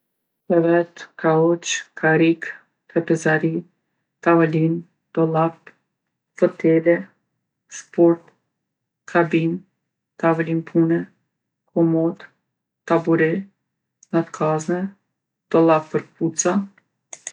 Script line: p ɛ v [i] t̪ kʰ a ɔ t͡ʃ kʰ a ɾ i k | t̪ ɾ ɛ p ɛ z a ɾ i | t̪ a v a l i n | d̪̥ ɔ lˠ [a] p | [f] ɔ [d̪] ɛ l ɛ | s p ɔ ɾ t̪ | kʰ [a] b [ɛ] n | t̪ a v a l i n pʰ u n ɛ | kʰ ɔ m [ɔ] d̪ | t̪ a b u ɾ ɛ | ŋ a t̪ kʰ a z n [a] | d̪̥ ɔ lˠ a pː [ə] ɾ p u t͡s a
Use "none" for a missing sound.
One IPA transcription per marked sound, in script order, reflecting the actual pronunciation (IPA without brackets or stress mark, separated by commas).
ɛ, a, f, t̪, a, i, ɔ, ɛ, ə